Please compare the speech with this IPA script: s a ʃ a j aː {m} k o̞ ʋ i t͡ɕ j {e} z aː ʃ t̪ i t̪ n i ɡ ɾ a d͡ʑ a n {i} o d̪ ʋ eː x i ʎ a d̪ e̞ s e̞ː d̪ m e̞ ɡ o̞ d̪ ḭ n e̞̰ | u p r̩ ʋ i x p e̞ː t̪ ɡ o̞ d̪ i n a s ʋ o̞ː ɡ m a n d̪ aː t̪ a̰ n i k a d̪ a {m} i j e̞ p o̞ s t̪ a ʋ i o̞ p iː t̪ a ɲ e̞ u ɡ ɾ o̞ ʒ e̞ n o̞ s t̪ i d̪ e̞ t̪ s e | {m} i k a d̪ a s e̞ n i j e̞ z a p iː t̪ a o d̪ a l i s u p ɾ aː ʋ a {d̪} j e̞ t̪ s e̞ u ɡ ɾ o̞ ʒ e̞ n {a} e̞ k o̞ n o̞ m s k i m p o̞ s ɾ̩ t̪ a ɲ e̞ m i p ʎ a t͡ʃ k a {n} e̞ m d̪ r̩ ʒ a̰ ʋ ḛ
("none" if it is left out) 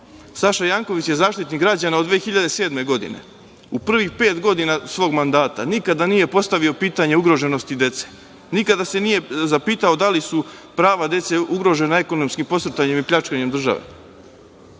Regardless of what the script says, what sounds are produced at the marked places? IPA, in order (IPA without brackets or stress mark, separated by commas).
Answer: ŋ, e, a, n, n, d̪, a, ɲ